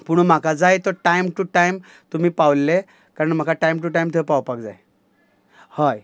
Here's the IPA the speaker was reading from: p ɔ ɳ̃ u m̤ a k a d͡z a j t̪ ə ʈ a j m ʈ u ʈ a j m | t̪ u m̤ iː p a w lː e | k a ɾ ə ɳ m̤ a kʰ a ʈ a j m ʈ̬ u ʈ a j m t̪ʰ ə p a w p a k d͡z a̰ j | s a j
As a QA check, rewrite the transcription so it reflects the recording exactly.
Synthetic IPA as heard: p u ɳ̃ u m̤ a k a d͡z a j t̪ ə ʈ a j m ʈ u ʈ a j m | t̪ u m̤ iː p a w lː e | k a ɾ ə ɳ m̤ a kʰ a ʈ a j m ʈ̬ u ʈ a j m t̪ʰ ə p a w p a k d͡z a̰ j | h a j